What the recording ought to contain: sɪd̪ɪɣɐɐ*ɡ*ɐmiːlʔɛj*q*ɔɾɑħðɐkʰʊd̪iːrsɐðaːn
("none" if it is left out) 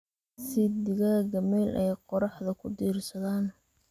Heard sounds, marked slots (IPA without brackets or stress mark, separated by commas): ɡ, q